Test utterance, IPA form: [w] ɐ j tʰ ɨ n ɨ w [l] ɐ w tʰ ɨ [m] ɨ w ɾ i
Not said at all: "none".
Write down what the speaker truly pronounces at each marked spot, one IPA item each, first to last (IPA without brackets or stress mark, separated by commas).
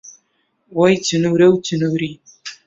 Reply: w, ɾ, n